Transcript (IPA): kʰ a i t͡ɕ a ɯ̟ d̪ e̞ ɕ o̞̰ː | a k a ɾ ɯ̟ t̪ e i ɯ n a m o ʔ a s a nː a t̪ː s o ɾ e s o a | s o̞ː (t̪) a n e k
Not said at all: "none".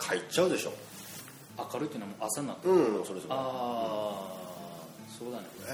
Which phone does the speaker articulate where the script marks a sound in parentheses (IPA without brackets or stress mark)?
d̪